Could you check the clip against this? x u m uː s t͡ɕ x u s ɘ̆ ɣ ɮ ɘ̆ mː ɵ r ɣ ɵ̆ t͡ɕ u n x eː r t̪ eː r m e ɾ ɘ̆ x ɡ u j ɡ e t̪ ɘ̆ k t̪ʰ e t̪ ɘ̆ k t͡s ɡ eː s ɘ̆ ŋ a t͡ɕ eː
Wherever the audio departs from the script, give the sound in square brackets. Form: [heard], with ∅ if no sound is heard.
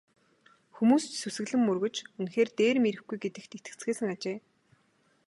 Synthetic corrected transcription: x u m uː s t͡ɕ [s] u s ɘ̆ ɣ ɮ ɘ̆ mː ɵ r ɣ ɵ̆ t͡ɕ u n x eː r t̪ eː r m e ɾ ɘ̆ x ɡ u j ɡ e t̪ ɘ̆ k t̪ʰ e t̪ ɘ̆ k t͡s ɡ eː s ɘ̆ ŋ a t͡ɕ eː